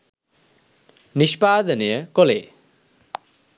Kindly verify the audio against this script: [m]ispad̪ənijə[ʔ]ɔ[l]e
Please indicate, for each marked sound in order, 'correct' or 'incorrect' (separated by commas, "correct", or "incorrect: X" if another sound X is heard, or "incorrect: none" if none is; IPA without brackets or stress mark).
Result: incorrect: n, incorrect: k, correct